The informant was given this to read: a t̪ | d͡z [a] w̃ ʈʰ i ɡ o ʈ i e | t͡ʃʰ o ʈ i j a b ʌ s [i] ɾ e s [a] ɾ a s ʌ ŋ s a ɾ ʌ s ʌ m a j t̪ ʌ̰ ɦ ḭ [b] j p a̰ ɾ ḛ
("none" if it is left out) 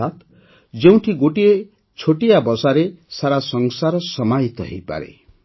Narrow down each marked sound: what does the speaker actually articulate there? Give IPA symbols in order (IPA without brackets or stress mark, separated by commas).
e, a, a, none